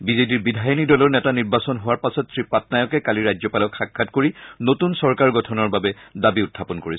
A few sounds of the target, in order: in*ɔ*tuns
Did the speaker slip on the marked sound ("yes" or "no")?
yes